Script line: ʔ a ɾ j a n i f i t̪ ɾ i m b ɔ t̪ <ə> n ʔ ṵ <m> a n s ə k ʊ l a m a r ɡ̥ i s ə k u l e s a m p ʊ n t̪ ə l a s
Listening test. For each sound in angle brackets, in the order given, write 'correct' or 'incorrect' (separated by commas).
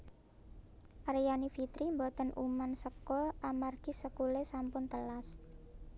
correct, correct